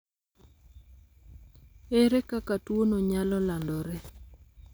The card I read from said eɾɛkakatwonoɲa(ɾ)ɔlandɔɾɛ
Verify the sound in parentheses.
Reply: incorrect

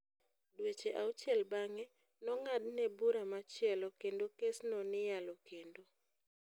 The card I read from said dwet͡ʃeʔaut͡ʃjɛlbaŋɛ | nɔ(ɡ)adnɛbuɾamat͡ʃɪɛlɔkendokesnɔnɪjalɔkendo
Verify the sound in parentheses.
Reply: incorrect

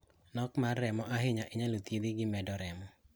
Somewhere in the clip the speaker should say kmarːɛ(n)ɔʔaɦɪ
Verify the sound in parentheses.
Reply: incorrect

